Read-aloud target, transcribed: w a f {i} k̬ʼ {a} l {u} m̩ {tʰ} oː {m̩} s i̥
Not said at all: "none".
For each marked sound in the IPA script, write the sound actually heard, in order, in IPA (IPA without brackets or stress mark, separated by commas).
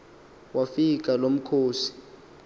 i, a, o, kʰ, none